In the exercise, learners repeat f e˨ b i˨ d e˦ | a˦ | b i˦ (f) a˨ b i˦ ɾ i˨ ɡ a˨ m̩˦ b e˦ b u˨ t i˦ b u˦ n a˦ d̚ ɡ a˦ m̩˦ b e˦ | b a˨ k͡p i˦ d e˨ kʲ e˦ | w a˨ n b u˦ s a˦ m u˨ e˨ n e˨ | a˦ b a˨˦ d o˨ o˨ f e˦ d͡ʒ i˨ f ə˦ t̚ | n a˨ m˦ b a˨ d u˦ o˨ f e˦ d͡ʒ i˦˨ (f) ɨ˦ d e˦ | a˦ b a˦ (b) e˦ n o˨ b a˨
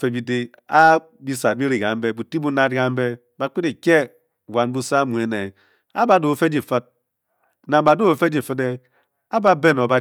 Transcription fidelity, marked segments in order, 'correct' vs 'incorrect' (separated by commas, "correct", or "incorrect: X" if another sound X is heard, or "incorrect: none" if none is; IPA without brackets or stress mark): incorrect: s, correct, correct